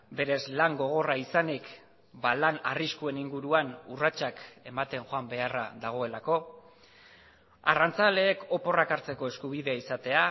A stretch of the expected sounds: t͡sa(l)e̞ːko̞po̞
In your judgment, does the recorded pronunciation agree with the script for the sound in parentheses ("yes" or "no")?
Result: yes